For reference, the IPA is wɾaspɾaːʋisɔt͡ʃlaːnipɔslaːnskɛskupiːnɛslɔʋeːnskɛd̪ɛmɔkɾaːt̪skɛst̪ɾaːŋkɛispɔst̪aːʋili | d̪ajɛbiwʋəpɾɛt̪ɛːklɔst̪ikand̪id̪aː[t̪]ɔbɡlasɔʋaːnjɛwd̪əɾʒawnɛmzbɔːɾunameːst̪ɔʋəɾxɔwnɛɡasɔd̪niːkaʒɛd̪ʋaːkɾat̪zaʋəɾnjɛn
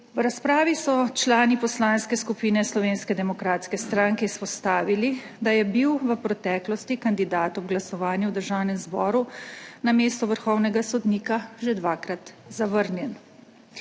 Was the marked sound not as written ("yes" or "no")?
no